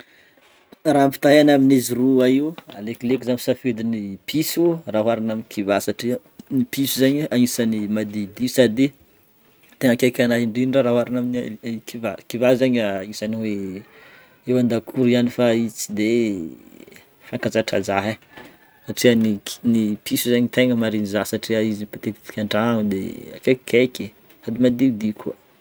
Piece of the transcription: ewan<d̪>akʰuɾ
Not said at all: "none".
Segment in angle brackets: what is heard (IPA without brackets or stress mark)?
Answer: d̪